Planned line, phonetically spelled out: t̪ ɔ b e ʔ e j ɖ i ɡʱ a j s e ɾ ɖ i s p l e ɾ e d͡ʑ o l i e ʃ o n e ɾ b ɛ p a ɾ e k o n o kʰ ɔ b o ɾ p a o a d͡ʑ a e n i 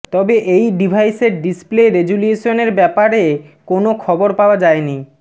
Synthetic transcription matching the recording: t̪ ɔ b e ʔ e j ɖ i bʱ a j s e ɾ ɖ i s p l e ɾ e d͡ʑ u l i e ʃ o n e ɾ b ɛ p a ɾ e k o n o kʰ ɔ b o ɾ p a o a d͡ʑ a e n i